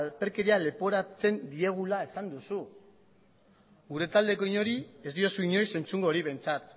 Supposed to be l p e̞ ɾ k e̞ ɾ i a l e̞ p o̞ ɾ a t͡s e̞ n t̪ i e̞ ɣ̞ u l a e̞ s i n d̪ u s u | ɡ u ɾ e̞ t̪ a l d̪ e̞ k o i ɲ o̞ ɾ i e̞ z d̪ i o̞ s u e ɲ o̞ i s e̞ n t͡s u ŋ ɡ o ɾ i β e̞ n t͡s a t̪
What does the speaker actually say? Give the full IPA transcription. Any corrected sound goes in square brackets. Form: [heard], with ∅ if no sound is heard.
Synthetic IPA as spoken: l p e̞ ɾ k e̞ ɾ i a l e̞ p o̞ ɾ a t͡s e̞ n [d̪] i e̞ ɣ̞ u l a e̞ s [a] n d̪ u s u | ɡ u ɾ e̞ t̪ a l d̪ e̞ k o i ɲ o̞ ɾ i e̞ z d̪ i o̞ s u [i] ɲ o̞ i s e̞ n t͡s u ŋ ɡ o ɾ i β e̞ n t͡s a t̪